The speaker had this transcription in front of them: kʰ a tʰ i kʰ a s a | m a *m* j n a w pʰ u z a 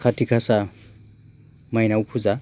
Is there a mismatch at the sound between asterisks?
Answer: yes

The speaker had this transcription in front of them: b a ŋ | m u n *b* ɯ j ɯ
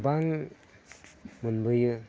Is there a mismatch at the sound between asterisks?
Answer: no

